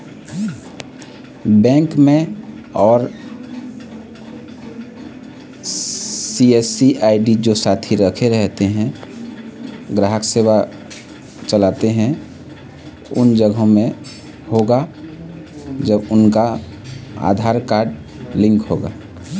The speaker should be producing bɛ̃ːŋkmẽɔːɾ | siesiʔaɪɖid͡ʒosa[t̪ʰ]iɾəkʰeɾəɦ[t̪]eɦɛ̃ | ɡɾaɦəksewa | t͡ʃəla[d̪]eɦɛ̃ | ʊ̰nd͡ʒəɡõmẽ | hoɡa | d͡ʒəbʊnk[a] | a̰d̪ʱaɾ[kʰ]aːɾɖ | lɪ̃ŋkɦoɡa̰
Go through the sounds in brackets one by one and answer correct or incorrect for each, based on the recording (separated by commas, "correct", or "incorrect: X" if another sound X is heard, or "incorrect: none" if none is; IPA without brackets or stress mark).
correct, correct, incorrect: t̪, correct, incorrect: k